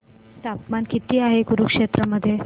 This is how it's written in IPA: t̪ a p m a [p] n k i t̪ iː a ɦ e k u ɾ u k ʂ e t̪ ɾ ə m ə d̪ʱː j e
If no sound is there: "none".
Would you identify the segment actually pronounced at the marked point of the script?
none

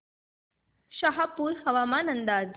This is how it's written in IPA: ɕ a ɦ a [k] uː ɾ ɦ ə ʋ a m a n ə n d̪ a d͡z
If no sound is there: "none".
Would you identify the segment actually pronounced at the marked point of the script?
p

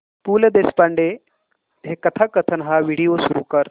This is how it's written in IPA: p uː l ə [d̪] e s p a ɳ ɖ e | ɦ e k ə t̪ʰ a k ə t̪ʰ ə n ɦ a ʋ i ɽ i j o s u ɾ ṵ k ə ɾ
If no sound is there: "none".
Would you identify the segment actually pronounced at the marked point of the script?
d̪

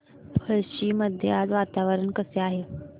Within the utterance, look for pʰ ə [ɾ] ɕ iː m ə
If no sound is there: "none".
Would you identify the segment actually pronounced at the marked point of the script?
ɭ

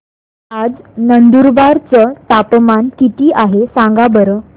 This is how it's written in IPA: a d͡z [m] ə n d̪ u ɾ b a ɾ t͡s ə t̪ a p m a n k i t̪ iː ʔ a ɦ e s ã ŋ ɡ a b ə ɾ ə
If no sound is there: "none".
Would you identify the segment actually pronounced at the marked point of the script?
n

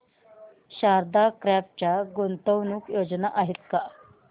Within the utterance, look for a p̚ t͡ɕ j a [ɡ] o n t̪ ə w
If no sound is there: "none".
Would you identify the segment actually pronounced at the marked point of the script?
ɡ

